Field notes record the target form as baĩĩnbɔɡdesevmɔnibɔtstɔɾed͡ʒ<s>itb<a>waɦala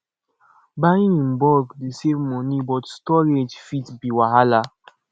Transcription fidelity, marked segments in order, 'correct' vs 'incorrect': incorrect, incorrect

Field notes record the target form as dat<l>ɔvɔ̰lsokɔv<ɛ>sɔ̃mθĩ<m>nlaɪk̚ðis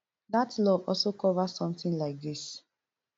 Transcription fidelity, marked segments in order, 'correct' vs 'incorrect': correct, incorrect, incorrect

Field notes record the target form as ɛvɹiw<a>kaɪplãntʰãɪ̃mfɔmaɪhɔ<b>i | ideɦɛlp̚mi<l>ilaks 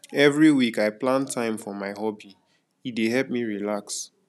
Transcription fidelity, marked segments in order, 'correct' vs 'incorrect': incorrect, correct, incorrect

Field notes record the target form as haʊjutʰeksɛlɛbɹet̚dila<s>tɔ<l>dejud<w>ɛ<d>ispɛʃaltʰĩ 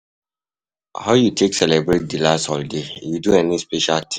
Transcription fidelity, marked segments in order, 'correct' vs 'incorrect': correct, correct, incorrect, incorrect

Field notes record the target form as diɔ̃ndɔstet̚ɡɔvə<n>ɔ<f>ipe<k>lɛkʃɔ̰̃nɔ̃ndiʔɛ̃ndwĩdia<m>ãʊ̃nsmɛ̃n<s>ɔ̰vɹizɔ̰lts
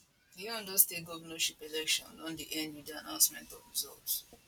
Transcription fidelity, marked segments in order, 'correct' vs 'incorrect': correct, incorrect, incorrect, incorrect, incorrect

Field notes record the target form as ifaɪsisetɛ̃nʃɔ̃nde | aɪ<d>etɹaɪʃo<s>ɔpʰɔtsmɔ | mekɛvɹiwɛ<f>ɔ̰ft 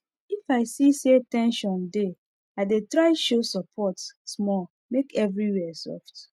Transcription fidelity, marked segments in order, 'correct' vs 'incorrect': correct, correct, incorrect

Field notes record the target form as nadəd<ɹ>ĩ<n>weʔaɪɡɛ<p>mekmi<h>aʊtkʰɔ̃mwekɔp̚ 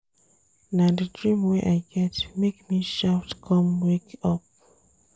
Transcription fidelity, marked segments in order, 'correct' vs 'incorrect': correct, incorrect, incorrect, incorrect

